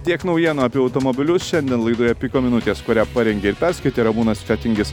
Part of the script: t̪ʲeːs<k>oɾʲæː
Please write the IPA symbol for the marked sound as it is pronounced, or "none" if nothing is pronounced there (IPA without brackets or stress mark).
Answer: k